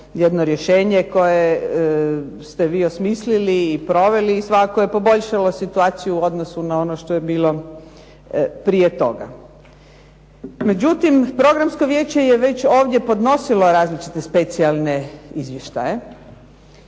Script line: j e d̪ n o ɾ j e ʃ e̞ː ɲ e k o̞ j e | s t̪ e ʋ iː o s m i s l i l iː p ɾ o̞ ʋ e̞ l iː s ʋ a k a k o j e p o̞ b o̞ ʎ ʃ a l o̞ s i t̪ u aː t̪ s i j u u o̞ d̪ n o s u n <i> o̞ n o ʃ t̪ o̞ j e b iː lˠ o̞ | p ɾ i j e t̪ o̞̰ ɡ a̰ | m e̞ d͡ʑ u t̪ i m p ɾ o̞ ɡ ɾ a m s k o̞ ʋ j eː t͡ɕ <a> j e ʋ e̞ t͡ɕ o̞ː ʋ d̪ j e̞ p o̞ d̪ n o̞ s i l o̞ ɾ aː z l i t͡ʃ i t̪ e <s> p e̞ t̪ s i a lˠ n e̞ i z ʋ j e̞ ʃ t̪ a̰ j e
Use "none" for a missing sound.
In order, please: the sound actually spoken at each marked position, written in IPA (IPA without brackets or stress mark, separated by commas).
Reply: a, e, s